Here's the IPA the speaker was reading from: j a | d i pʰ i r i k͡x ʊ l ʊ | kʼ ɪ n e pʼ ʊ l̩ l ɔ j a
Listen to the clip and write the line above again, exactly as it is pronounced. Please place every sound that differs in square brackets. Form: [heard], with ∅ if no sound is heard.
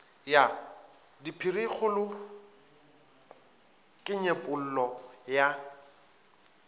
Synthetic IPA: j a | d i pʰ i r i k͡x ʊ l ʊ | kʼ ɪ [ɲ] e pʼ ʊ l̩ l ɔ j a

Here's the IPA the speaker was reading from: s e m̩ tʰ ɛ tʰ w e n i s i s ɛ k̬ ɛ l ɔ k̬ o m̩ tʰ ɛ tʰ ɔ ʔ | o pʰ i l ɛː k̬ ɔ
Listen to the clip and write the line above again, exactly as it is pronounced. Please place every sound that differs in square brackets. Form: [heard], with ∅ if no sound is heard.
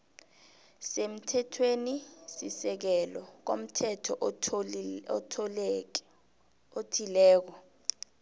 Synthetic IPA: s e m̩ tʰ ɛ tʰ w e n i s i s ɛ k̬ ɛ l ɔ k̬ o m̩ tʰ ɛ tʰ ɔ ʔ | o [tʰ] i l ɛː k̬ ɔ

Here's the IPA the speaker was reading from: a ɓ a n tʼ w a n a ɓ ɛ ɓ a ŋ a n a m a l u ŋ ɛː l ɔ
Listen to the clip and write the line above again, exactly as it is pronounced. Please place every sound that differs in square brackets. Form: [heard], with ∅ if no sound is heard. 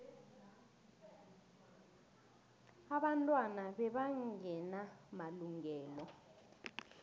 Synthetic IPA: a ɓ a n tʼ w a n a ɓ ɛ ɓ a ŋ [ɛ] n a m a l u ŋ ɛː l ɔ

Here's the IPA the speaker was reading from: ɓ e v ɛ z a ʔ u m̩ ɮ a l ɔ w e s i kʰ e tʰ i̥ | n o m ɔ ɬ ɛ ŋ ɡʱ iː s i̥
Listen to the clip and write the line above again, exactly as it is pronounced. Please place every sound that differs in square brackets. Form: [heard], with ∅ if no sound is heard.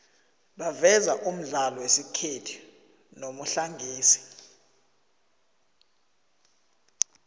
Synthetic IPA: ɓ [a] v ɛ z a ʔ u m̩ ɮ a l ɔ w e s i kʰ e tʰ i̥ | n o m [u] ɬ [a] ŋ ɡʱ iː s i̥

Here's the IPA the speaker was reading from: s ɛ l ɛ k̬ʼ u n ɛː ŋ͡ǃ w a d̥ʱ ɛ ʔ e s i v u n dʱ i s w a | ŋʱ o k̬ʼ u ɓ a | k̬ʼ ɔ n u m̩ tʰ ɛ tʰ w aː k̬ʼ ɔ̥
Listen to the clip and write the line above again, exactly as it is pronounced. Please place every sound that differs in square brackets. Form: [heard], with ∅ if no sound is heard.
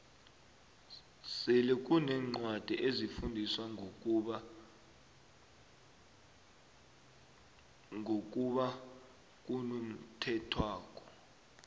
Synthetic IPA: s ɛ l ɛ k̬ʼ u n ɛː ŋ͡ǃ w a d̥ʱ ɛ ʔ e [z] i [f] u n dʱ i s w a | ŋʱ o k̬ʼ u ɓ a | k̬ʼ [u] n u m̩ tʰ ɛ tʰ w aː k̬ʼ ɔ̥

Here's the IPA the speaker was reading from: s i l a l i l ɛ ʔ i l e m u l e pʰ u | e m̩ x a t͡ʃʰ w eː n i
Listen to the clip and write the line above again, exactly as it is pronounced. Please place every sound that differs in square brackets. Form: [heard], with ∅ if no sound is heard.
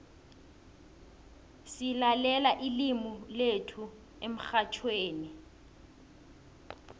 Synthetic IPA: s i l a l [ɛ] l [a] ʔ i l [i] m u l e [tʰ] u | e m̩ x a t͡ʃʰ w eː n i

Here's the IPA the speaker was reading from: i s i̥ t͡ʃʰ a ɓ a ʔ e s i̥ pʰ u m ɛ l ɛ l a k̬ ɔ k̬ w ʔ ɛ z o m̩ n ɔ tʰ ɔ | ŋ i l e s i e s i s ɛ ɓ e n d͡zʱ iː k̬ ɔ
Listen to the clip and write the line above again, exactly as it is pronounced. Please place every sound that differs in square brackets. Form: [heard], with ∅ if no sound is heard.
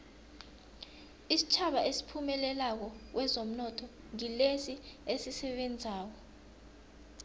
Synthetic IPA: i s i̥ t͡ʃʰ a ɓ a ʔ e s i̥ pʰ u m ɛ l ɛ l a k̬ ɔ k̬ w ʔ ɛ z o m̩ n ɔ tʰ ɔ | ŋ i l e s i e s i s ɛ ɓ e n d͡zʱ [aː] k̬ ɔ

